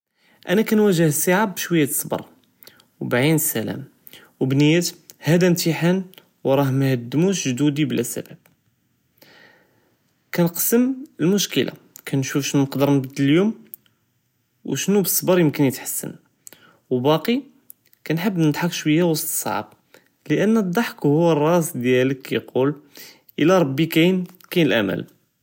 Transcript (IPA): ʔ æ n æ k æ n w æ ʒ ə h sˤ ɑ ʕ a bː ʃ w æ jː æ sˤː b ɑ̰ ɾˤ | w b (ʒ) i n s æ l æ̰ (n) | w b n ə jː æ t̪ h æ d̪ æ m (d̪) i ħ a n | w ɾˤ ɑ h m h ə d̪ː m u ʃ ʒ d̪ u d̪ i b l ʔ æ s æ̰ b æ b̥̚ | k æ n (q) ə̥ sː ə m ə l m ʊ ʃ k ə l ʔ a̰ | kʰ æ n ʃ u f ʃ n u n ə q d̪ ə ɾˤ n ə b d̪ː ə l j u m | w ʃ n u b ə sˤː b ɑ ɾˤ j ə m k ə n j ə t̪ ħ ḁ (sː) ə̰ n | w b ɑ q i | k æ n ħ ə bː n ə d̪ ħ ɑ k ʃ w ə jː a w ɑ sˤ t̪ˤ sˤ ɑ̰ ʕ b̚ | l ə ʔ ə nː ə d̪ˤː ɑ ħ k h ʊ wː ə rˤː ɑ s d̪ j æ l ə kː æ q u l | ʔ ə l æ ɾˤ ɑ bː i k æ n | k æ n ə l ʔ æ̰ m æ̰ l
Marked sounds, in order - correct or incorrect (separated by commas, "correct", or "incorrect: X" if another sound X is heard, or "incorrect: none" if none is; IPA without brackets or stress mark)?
incorrect: ʕ, incorrect: m, incorrect: t̪, correct, correct